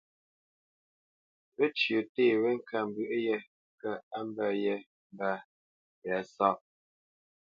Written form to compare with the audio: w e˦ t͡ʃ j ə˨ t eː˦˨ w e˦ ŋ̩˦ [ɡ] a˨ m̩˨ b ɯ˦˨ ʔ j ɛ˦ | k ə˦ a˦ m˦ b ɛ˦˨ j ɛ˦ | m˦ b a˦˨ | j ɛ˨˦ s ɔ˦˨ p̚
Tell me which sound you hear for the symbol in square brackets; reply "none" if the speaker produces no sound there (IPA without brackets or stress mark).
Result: k